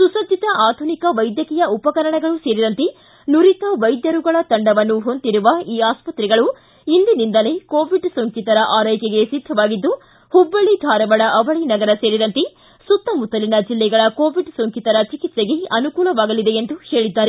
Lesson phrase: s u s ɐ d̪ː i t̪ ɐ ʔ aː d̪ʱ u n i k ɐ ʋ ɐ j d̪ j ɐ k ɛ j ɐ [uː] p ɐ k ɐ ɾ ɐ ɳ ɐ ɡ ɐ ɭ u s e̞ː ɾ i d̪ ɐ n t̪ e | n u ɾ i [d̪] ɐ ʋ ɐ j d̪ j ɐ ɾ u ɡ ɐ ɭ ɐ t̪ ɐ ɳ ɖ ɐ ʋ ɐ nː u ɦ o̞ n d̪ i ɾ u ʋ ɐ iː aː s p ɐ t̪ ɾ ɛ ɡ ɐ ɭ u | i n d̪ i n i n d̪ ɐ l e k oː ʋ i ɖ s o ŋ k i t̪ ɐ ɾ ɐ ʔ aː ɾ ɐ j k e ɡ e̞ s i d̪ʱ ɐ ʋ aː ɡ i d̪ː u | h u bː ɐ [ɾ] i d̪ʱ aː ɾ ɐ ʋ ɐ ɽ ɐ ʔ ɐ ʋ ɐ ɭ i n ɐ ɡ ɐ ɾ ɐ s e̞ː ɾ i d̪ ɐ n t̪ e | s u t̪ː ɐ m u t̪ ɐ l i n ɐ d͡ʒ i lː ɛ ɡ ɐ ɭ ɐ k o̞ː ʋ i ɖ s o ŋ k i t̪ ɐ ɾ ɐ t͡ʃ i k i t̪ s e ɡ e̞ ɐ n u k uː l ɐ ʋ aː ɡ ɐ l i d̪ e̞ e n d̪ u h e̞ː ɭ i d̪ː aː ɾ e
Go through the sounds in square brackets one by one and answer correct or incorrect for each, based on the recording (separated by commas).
incorrect, incorrect, incorrect